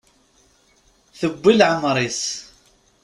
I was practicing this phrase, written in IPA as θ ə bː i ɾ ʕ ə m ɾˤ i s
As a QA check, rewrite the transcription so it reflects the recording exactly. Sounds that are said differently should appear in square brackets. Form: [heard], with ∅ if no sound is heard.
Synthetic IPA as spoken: θ ə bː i [l] ʕ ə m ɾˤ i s